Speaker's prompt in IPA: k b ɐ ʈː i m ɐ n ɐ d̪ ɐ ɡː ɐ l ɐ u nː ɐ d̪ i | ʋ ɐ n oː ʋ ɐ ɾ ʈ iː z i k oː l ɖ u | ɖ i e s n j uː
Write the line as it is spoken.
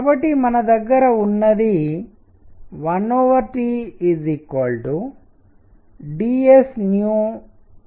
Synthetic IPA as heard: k b ɐ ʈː i m ɐ n ɐ d̪ ɐ ɡː ɐ ɾ ɐ u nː ɐ d̪ i | ʋ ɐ n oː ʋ ɐ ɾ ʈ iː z i k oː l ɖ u | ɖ i e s n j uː